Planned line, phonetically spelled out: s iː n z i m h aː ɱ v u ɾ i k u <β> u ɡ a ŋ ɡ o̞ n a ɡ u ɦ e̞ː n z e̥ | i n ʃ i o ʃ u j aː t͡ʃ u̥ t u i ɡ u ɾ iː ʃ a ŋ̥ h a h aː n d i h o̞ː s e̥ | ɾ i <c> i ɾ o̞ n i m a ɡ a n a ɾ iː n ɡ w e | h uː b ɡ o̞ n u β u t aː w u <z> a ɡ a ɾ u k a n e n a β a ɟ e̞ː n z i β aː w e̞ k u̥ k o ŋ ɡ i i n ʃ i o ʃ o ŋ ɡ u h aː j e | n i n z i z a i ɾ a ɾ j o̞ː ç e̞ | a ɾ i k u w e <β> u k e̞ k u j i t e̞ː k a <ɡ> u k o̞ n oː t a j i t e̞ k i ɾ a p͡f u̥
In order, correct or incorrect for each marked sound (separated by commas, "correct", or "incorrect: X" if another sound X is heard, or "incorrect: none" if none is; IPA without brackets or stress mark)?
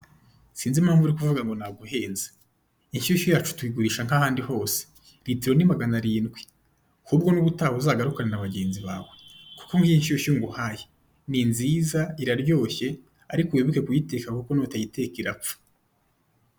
incorrect: v, incorrect: t, correct, correct, incorrect: k